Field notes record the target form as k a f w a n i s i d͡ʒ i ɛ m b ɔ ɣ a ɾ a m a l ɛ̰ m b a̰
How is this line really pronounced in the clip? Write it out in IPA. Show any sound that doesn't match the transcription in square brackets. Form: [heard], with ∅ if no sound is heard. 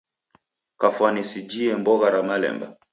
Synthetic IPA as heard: k a f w a n i s i d͡ʒ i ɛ m b ɔ ɣ a ɾ a m a l ɛ̰ m b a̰